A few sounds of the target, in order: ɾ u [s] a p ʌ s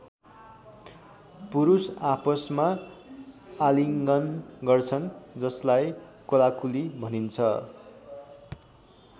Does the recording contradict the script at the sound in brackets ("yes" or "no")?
no